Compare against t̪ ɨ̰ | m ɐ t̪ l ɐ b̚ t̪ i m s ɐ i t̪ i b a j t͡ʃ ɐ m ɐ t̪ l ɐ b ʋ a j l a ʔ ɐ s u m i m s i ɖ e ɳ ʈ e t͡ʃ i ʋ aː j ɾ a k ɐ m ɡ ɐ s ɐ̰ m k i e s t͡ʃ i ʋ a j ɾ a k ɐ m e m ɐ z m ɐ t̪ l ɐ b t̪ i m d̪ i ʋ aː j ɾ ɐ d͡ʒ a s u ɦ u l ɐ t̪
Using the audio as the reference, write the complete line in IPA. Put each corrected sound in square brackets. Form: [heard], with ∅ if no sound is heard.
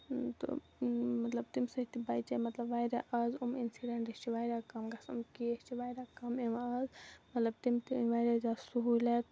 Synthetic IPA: t̪ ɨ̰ | m ɐ t̪ l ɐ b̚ t̪ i m s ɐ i t̪ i b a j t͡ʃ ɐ m ɐ t̪ l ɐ b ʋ a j [ɾ] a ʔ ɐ [z] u m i [n] s i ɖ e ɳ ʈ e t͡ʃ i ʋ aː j ɾ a k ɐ m ɡ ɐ s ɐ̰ m k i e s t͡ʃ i ʋ a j ɾ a k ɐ m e m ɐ z m ɐ t̪ l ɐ b t̪ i m [t̪] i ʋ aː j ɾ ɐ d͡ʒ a s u ɦ u l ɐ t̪